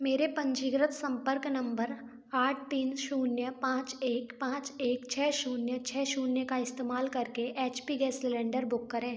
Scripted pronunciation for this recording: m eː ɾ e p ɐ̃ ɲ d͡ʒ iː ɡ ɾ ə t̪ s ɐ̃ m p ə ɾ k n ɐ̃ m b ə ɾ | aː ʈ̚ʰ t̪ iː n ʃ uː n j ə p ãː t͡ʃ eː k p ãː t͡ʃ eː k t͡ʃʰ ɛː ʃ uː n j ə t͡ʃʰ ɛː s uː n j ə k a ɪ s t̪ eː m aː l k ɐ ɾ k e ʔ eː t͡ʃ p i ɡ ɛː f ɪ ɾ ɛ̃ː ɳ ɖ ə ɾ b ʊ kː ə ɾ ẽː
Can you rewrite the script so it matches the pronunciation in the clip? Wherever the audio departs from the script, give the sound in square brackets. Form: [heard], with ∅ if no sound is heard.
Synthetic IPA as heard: m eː ɾ e p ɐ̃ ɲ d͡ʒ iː ɡ ɾ ə t̪ s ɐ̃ m p ə ɾ k n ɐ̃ m b ə ɾ | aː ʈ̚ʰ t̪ iː n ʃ uː n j ə p ãː t͡ʃ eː k p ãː t͡ʃ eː k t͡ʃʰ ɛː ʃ uː n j ə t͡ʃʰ ɛː [ʃ] uː n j ə k a ɪ s t̪ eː m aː l k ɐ ɾ k e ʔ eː t͡ʃ p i ɡ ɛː [s] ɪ [l] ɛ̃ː ɳ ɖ ə ɾ b ʊ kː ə ɾ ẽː

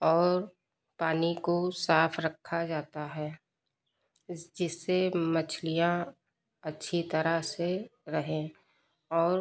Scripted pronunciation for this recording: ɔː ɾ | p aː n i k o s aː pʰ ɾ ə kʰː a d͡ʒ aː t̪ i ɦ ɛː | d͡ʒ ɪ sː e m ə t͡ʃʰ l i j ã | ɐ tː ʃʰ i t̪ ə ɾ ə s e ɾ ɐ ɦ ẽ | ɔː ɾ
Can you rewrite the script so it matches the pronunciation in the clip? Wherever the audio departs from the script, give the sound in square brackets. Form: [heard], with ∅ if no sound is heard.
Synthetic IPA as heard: ɔː ɾ | p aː n i k o s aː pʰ ɾ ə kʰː a d͡ʒ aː t̪ [a] ɦ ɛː | d͡ʒ ɪ sː e m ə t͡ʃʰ l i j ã | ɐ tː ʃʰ i t̪ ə ɾ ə s e ɾ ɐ ɦ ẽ | ɔː ɾ

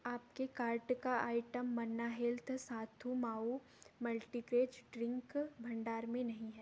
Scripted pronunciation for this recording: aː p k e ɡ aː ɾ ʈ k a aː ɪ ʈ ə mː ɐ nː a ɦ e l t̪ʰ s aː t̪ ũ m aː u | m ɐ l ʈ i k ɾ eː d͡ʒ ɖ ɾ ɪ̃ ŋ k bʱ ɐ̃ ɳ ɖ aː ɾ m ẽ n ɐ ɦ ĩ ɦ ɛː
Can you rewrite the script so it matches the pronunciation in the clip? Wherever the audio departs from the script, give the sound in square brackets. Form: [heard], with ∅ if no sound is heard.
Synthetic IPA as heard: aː p k e [k] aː ɾ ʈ k a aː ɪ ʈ ə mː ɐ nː a ɦ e l t̪ʰ s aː [t̪ʰ] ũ m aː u | m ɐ l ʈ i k ɾ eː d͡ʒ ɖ ɾ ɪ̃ ŋ k bʱ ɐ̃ ɳ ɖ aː ɾ m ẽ n ɐ ɦ ĩ ɦ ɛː

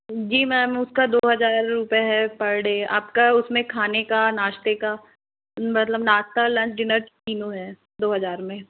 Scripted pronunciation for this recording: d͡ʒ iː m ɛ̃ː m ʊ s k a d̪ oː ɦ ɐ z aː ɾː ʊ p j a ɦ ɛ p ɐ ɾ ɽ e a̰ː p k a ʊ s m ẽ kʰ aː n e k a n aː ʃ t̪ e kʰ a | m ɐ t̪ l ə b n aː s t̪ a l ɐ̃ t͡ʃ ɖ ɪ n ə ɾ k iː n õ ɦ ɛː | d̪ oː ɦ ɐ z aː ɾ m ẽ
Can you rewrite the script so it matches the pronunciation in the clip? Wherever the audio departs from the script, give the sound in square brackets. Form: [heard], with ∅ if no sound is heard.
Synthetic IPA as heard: d͡ʒ iː m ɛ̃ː m ʊ s k a d̪ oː ɦ ɐ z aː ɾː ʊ p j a ɦ ɛ p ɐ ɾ ɽ e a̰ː p k a ʊ s m ẽ kʰ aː n e k a n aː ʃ t̪ e [k] a | m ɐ t̪ l ə b n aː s t̪ a l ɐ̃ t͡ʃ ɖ ɪ n ə ɾ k iː n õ ɦ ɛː | d̪ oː ɦ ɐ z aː ɾ m ẽ

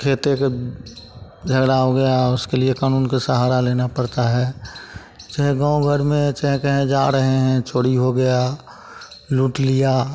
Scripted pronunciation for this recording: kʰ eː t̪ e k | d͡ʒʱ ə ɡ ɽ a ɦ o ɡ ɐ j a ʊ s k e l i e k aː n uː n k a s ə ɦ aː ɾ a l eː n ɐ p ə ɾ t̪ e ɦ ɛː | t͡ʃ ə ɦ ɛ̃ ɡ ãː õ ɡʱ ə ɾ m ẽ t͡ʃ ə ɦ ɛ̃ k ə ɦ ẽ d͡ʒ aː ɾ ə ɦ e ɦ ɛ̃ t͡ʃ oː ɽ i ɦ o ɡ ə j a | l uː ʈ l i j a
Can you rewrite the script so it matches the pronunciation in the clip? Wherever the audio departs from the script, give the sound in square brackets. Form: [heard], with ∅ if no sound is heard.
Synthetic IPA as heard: kʰ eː t̪ e k | d͡ʒʱ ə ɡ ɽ a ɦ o ɡ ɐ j a ʊ s k e l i e k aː n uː n k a s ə ɦ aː ɾ a l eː n [a] p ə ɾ t̪ [a] ɦ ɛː | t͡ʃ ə ɦ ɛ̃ ɡ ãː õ ɡʱ ə ɾ m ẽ t͡ʃ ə ɦ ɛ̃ k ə ɦ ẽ d͡ʒ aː ɾ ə ɦ e ɦ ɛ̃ t͡ʃ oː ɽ i ɦ o ɡ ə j a | l uː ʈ l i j a

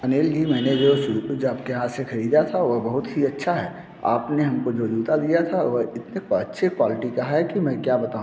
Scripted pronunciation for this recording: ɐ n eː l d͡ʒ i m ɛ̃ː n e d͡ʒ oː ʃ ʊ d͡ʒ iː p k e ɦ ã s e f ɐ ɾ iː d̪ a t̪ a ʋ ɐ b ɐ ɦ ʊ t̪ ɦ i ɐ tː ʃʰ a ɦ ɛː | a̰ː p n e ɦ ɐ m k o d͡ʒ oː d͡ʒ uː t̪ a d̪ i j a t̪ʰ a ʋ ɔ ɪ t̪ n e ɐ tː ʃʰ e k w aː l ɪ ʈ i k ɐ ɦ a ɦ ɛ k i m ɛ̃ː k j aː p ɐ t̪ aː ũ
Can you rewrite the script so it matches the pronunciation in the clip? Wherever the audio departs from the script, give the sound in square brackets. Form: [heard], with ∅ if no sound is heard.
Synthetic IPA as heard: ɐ n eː l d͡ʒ i m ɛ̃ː n e d͡ʒ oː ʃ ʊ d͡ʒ [aː] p k e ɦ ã s e [x] ɐ ɾ iː d̪ a [t̪ʰ] a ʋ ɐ b ɐ ɦ ʊ t̪ ɦ i ɐ tː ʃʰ a ɦ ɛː | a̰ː p n e ɦ ɐ m k o d͡ʒ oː d͡ʒ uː t̪ a d̪ i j a t̪ʰ a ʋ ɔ ɪ t̪ n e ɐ tː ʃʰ e k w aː l ɪ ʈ i k ɐ ɦ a ɦ ɛ k i m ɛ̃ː k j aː [b] ɐ t̪ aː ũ

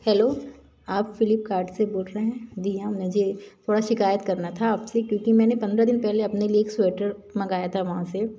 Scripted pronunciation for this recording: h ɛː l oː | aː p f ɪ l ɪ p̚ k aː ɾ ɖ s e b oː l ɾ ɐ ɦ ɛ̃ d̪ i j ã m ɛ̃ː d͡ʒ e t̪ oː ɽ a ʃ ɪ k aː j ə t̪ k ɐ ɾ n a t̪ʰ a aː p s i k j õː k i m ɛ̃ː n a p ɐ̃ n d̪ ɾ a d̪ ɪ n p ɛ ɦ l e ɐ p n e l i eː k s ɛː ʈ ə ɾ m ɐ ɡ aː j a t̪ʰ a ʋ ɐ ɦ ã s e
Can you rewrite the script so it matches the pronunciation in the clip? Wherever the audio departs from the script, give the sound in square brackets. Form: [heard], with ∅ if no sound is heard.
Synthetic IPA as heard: h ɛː l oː | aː p f ɪ l ɪ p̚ k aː ɾ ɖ s e b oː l ɾ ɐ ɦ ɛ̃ d̪ i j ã m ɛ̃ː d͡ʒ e [t̪ʰ] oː ɽ a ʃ ɪ k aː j ə t̪ k ɐ ɾ n a t̪ʰ a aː p s [e] k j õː k i m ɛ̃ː n [e] p ɐ̃ n d̪ ɾ a d̪ ɪ n p ɛ ɦ l e ɐ p n e l i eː k s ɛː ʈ ə ɾ m ɐ ɡ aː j a t̪ʰ a ʋ ɐ ɦ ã s e

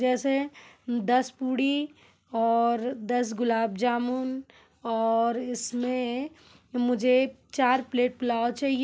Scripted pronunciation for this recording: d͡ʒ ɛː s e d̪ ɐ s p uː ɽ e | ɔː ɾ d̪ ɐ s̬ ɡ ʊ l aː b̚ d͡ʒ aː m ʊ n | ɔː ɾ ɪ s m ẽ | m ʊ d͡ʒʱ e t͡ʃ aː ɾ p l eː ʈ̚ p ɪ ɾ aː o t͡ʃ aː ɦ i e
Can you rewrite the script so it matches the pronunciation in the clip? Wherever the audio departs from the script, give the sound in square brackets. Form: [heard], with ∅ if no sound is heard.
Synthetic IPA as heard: d͡ʒ ɛː s e d̪ ɐ s p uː ɽ [i] | ɔː ɾ d̪ ɐ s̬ ɡ ʊ l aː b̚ d͡ʒ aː m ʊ n | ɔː ɾ ɪ s m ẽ | m ʊ d͡ʒʱ e t͡ʃ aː ɾ p l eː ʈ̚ p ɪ [l] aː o t͡ʃ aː ɦ i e

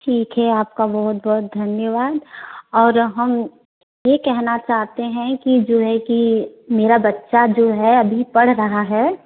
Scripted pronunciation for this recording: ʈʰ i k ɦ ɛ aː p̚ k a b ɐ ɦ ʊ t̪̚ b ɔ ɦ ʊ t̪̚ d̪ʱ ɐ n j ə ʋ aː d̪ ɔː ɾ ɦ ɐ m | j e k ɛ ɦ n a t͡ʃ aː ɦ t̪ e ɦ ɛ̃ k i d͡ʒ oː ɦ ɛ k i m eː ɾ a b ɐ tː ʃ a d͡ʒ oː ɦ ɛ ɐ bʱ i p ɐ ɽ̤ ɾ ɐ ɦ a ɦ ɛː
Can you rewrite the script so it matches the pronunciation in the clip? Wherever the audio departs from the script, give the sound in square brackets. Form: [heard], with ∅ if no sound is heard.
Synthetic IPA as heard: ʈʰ [iː] k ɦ ɛ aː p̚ k a b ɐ ɦ ʊ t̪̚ b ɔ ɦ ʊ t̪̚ d̪ʱ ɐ n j ə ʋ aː d̪ ɔː ɾ ɦ ɐ m | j e k ɛ ɦ n a t͡ʃ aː ɦ t̪ e ɦ ɛ̃ k i d͡ʒ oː ɦ ɛ k i m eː ɾ a b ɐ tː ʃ a d͡ʒ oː ɦ ɛ ɐ bʱ i p ɐ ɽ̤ ɾ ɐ ɦ a ɦ ɛː

